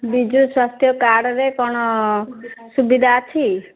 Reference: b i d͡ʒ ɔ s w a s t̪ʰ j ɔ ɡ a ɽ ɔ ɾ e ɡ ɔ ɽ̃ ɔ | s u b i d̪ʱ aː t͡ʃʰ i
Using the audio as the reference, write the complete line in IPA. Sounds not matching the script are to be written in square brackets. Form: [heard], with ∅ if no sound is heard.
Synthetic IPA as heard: b i d͡ʒ [u] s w a s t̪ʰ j ɔ [k] a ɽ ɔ ɾ e [k] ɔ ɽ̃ ɔ | s u b i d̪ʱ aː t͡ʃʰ i